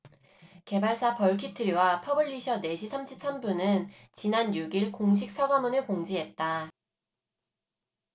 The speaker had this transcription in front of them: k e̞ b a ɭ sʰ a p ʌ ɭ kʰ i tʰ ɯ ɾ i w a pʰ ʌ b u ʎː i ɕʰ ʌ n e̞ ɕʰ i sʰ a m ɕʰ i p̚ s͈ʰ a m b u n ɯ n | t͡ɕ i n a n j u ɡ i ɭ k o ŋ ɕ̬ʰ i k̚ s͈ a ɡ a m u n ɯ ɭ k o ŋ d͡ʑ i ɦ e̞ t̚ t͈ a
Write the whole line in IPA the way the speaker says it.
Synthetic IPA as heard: k e̞ b a ɭ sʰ a p ʌ ɭ kʰ i tʰ ɯ ɾ i w a pʰ ʌ b ɯ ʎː i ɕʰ ʌ n e̞ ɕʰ i sʰ a m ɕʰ i p̚ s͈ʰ a m b u n ɯ n | t͡ɕ i n a n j u ɡ i ɭ k o ŋ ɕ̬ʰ i k̚ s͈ a ɡ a m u n ɯ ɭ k o ŋ d͡ʑ i ɦ e̞ t̚ t͈ a